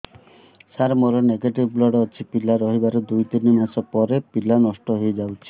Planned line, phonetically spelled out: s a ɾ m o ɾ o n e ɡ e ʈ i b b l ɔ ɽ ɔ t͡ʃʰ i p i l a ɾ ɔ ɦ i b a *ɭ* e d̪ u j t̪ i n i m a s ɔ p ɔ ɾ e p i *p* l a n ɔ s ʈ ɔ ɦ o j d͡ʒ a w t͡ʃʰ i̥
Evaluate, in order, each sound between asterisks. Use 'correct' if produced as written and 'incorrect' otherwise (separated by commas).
incorrect, incorrect